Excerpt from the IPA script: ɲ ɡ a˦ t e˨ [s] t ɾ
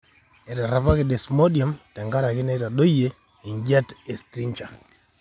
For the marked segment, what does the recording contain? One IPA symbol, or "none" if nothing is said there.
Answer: s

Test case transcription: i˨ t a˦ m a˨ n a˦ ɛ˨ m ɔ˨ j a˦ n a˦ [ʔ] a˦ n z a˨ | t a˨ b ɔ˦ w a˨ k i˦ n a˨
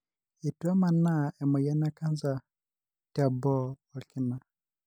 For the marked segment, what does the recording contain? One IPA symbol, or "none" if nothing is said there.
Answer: k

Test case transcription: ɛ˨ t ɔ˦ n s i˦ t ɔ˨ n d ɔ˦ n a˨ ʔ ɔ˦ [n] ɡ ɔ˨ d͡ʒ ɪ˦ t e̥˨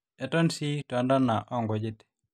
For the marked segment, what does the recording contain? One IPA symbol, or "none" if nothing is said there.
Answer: ŋ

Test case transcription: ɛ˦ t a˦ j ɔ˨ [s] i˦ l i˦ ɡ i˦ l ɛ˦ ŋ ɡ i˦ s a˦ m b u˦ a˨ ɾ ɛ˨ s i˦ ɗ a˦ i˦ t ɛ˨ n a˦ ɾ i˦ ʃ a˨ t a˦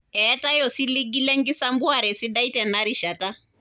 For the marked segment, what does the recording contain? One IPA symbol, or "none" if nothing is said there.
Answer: s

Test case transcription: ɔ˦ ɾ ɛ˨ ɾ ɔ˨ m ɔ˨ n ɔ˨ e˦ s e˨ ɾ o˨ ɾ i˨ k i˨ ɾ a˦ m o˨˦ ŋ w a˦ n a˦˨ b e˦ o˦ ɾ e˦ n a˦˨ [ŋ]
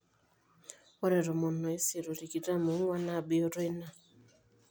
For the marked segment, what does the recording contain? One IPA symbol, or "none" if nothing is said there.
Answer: none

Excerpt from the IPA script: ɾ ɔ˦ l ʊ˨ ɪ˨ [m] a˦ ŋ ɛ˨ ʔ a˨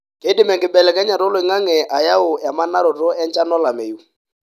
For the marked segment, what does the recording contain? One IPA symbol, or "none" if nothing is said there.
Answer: ŋ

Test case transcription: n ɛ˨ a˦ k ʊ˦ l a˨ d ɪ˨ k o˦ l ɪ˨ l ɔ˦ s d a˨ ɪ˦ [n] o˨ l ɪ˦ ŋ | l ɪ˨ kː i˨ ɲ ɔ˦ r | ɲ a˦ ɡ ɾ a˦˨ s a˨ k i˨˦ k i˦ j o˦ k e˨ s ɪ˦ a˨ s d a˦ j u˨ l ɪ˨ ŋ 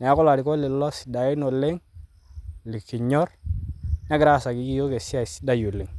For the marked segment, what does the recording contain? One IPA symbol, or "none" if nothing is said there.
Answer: n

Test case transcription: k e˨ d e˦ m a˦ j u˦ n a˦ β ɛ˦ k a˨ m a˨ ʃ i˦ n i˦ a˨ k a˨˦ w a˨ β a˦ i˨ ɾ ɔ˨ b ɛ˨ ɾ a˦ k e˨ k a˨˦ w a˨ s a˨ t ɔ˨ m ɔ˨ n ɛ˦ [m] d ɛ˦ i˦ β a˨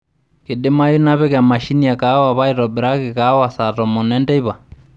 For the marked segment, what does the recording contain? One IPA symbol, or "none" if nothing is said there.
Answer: n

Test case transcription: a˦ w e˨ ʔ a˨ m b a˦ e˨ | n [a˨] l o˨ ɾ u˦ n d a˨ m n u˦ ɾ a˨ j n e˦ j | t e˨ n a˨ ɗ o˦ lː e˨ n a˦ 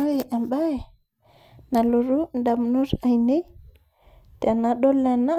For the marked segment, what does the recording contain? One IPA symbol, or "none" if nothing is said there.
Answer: a˨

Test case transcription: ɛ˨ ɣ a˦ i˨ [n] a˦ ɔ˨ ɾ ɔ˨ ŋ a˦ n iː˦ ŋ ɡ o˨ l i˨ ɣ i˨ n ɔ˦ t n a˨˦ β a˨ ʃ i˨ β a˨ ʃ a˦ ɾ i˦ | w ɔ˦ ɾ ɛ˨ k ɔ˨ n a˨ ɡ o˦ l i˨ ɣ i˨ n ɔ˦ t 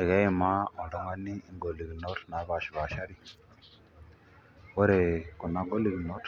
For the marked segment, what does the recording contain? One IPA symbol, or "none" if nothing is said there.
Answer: m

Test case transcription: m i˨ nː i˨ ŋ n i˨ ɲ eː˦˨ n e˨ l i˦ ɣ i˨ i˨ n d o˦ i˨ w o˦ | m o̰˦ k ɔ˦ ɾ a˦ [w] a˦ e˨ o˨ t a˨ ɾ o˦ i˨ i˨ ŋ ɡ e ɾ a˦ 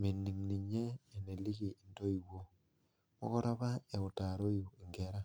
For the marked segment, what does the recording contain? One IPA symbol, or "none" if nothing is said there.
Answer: β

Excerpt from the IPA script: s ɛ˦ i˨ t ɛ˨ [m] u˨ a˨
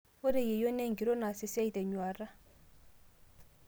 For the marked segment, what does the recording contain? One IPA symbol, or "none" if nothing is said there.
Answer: ɲ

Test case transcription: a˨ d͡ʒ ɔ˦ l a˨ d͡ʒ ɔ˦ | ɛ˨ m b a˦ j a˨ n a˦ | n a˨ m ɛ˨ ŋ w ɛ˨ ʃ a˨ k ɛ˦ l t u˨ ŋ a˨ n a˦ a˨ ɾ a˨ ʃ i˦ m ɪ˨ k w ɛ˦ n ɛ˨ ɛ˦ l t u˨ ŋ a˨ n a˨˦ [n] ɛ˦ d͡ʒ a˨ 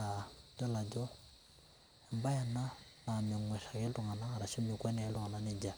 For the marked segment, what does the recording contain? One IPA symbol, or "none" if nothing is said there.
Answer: n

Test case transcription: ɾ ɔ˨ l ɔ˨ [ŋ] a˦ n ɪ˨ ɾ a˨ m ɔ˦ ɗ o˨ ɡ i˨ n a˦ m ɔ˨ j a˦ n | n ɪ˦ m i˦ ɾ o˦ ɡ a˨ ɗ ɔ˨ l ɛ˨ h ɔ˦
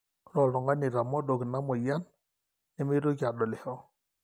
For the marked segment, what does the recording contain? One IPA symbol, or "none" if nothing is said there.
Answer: ŋ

